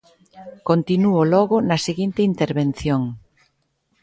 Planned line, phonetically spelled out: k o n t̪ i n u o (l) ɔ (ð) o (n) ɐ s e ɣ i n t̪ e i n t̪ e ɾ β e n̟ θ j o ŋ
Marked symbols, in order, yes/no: yes, no, yes

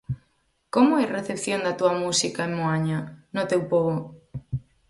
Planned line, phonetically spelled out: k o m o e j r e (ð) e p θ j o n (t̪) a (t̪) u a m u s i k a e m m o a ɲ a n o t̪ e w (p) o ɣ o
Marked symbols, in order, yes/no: no, no, yes, yes

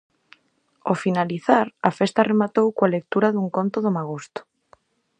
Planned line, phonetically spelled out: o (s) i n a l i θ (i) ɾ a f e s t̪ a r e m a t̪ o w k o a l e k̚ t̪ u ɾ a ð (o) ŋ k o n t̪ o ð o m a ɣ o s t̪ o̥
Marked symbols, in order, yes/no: no, no, no

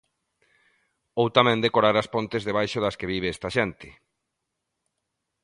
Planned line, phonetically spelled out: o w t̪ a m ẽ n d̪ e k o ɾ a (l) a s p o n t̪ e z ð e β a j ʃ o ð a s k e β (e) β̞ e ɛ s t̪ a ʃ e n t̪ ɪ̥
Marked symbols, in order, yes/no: no, no

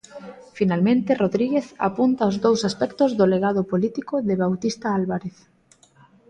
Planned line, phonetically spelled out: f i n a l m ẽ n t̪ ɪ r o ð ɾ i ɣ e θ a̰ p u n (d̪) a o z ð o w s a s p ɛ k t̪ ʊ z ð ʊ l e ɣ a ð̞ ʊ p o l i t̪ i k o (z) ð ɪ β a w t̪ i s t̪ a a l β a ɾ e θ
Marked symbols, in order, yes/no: no, no

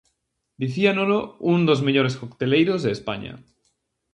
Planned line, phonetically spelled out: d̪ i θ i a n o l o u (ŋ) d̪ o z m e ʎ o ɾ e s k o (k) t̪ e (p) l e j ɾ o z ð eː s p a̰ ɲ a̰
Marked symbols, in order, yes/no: no, yes, no

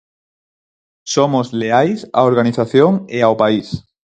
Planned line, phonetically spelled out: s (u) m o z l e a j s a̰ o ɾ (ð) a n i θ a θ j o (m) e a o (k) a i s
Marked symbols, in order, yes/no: no, no, no, no

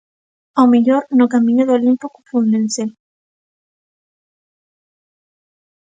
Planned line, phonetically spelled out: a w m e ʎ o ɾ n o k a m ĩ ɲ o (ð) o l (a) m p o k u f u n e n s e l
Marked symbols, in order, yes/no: yes, no

